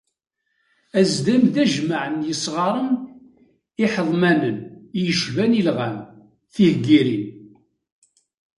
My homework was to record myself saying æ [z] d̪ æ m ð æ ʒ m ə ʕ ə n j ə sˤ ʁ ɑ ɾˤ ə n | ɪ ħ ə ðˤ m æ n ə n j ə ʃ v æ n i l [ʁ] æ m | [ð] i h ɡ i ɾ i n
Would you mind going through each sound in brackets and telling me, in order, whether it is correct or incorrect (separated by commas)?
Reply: correct, correct, incorrect